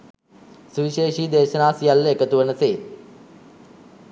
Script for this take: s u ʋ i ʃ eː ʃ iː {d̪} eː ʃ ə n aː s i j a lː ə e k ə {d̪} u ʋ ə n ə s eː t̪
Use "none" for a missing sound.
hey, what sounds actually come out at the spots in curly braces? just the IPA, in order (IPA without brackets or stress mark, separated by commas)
d̪, t̪